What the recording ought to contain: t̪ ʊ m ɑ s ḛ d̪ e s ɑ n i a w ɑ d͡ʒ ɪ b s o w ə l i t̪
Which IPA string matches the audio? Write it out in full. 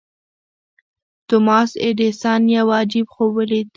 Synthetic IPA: t̪ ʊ m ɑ s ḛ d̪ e s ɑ n j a w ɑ d͡ʒ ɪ b x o w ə l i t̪